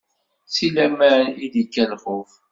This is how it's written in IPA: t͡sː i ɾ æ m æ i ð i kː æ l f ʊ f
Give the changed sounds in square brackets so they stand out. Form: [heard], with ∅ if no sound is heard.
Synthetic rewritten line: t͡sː i [l] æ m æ i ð i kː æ l [χ] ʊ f

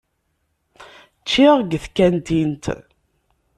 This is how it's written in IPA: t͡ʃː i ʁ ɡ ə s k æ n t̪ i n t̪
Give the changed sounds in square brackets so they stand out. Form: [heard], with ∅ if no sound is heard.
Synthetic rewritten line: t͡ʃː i ʁ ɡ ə [θ] k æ n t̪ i n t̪

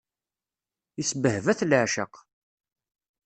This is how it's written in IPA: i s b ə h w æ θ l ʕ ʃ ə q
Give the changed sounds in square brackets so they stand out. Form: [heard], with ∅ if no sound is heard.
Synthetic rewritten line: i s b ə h [v] æ θ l ʕ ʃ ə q

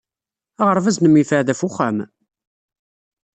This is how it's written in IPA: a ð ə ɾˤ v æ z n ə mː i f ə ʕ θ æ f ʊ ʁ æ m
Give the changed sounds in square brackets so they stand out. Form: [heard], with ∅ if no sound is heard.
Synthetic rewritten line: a [ʁ] ə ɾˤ v æ z n ə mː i f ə ʕ [ð] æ f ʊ [χ] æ m

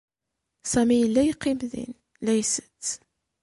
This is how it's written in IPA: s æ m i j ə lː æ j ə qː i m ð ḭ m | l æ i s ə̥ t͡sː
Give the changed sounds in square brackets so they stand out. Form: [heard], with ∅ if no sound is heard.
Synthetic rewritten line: s æ m i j ə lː æ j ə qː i m ð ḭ [n] | l æ [j] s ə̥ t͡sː

